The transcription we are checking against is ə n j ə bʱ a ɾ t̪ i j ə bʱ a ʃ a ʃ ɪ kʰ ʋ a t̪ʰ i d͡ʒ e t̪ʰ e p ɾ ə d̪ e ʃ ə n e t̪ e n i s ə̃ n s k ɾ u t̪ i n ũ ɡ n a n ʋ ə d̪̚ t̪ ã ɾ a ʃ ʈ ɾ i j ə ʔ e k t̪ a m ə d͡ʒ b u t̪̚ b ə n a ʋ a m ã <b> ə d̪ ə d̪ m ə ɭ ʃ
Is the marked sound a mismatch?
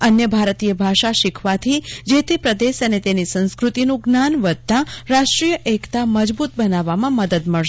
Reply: yes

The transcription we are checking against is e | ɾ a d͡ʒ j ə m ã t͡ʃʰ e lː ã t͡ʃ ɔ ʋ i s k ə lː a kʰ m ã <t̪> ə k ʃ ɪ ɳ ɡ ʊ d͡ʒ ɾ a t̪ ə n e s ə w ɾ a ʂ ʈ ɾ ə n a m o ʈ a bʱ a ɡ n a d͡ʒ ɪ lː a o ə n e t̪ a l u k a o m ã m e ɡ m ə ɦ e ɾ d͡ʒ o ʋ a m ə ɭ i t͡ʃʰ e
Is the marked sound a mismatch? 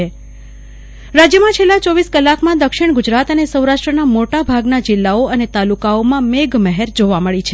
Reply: yes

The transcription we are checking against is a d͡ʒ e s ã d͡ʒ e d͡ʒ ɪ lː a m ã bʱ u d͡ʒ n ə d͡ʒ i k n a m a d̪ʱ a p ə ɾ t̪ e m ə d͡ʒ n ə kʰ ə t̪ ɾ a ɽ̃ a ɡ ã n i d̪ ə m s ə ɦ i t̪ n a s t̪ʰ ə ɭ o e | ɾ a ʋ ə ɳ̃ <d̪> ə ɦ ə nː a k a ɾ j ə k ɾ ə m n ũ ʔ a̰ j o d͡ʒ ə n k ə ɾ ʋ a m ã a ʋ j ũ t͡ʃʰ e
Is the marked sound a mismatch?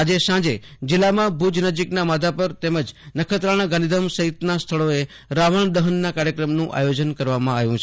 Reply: no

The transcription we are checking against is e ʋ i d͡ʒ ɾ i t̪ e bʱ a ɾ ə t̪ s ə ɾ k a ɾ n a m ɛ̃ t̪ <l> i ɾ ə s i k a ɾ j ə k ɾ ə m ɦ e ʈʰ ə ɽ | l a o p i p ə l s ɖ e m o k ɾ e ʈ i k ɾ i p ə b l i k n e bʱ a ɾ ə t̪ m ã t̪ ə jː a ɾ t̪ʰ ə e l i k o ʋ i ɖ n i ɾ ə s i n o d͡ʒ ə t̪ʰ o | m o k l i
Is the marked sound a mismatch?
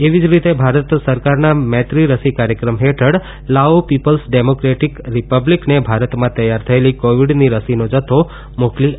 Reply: yes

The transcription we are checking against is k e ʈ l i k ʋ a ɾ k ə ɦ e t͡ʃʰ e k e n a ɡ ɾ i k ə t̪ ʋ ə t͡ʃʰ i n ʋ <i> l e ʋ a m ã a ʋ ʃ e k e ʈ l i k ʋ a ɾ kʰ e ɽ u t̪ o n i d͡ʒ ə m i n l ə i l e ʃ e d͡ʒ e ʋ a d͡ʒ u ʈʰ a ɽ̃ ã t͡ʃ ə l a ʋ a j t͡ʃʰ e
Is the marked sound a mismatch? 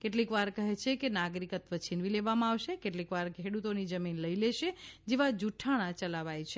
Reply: no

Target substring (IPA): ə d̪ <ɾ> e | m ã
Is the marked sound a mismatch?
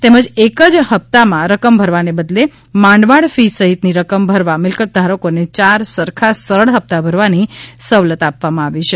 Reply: yes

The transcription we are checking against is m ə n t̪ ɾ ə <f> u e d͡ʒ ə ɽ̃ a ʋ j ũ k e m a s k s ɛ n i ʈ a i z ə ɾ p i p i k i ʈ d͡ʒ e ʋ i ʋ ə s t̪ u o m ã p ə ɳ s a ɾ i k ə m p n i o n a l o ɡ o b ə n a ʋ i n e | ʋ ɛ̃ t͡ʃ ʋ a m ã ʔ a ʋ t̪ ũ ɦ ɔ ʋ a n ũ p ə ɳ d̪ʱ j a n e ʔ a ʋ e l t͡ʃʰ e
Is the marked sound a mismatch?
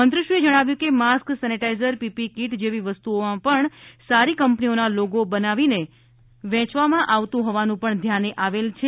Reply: yes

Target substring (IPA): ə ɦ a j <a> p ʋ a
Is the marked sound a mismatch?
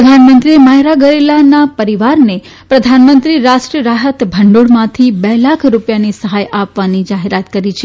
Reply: no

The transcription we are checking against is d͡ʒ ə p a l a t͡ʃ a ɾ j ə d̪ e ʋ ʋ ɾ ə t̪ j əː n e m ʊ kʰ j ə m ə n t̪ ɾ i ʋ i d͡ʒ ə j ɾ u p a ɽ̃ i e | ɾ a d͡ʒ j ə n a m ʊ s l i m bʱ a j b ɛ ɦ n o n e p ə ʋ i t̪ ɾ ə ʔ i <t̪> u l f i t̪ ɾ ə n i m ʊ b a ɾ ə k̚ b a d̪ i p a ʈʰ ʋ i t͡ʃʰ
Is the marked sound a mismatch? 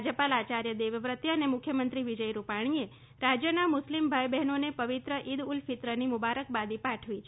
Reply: yes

